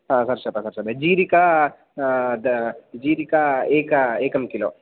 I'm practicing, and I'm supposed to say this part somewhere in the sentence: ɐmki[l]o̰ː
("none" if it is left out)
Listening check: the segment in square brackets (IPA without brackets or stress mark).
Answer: l